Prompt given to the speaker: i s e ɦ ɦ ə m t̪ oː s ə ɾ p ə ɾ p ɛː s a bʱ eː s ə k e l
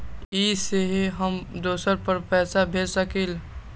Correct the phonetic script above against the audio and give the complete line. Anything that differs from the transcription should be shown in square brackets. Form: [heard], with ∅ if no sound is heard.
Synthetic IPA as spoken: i s e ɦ ɦ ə m [d̪] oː s ə ɾ p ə ɾ p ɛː s a bʱ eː s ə k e l